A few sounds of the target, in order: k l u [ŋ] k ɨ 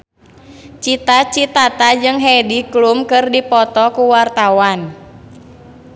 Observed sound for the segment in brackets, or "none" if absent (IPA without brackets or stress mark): m